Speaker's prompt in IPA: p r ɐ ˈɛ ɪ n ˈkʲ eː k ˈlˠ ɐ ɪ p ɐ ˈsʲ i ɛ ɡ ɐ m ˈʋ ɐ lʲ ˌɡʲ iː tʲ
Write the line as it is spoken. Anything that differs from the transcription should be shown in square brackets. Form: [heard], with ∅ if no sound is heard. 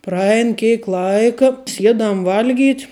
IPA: p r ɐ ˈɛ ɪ n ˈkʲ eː k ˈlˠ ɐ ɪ [k] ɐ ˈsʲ i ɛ [d] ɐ m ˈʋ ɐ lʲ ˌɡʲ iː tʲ

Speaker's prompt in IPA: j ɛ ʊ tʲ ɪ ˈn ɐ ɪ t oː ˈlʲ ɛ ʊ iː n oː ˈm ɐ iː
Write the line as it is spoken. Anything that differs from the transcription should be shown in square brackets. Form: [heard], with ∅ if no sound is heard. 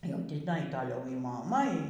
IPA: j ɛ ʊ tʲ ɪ ˈn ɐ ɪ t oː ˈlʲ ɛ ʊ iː [m] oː ˈm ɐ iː

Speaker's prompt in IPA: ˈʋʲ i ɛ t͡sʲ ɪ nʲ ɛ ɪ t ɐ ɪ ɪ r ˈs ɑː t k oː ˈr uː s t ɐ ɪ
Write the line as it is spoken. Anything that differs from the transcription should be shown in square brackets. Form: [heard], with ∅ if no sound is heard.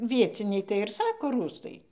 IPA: ˈʋʲ i ɛ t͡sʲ ɪ nʲ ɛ ɪ t ɐ ɪ ɪ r ˈs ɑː [∅] k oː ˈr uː s t ɐ ɪ

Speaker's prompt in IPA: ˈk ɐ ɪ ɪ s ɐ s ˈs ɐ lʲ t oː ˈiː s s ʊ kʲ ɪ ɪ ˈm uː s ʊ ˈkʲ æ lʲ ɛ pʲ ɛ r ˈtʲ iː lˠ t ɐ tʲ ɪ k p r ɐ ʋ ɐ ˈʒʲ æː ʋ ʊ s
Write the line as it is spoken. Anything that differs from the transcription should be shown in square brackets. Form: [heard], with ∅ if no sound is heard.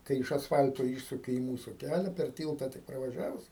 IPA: ˈk ɐ ɪ ɪ [ʃ] ɐ s [ˈf] ɐ lʲ t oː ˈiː [ʃ] s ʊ kʲ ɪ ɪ ˈm uː s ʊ ˈkʲ æ lʲ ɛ pʲ ɛ r ˈtʲ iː lˠ t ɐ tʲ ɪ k p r ɐ ʋ ɐ ˈʒʲ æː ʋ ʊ s

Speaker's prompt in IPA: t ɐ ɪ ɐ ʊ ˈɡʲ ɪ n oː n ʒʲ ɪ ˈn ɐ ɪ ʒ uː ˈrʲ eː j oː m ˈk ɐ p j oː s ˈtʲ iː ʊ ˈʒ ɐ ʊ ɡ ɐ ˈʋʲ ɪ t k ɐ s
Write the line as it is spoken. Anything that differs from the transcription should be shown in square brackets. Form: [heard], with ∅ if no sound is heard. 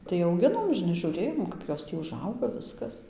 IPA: t ɐ ɪ ɐ ʊ ˈɡʲ ɪ n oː [m] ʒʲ ɪ ˈn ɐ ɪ ʒ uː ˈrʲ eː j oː m ˈk ɐ p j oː s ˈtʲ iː ʊ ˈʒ ɐ ʊ ɡ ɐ ˈʋʲ ɪ [s] k ɐ s

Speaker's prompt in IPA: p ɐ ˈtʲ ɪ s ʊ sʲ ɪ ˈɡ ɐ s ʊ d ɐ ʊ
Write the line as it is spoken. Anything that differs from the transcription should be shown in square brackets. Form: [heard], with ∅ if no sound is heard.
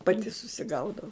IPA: p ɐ ˈtʲ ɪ s ʊ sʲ ɪ ˈɡ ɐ [∅] ʊ d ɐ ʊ

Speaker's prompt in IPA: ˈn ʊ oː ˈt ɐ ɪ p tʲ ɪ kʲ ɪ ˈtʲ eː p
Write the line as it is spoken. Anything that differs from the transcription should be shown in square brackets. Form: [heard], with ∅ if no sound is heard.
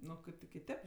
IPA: ˈn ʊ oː [ˈk] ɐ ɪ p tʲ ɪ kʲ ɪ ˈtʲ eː p

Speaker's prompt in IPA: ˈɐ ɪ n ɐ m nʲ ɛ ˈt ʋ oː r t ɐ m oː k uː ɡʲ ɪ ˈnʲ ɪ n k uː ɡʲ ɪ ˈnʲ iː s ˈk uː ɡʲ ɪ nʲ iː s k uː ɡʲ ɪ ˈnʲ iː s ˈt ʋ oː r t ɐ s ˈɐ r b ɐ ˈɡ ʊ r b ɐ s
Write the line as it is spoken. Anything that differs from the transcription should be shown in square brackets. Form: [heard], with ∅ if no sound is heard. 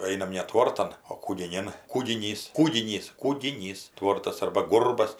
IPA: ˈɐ ɪ n ɐ m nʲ ɛ ˈt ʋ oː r t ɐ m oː k uː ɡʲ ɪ ˈnʲ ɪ n k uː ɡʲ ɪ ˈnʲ iː s ˈk uː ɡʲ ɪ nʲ iː s k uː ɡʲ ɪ ˈnʲ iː s ˈt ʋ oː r t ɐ s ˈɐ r b ɐ ˈɡ ʊ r b ɐ s

